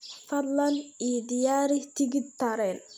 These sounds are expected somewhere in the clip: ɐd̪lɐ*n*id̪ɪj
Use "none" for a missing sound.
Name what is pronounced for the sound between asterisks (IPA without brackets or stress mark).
n